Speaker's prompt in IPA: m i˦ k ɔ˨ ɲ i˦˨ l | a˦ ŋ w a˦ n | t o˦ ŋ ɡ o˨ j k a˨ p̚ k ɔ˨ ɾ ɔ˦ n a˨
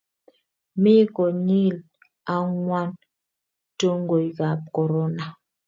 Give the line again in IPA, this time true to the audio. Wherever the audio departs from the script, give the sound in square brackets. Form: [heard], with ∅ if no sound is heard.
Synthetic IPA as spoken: m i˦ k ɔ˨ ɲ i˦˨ l | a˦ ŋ w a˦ n | t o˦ ŋ ɡ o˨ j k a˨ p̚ k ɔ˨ ɾ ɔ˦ n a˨